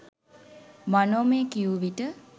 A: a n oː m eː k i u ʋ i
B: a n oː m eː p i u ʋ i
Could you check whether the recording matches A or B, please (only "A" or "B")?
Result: A